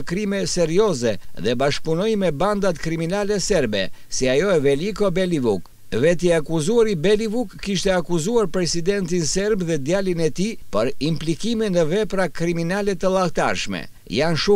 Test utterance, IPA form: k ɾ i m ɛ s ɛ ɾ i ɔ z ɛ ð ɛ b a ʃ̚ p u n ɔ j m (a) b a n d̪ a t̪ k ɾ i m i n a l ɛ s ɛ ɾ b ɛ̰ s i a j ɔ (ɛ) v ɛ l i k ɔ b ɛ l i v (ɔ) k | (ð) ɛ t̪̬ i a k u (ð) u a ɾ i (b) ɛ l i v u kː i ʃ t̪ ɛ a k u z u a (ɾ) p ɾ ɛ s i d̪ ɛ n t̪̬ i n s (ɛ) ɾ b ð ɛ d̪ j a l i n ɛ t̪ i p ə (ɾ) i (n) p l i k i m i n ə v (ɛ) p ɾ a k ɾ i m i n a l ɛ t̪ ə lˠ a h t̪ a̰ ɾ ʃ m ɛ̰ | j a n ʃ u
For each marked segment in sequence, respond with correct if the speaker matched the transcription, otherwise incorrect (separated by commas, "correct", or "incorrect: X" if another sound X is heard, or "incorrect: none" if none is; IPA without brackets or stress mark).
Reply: incorrect: ɛ, correct, incorrect: u, incorrect: v, incorrect: z, correct, correct, correct, correct, incorrect: m, correct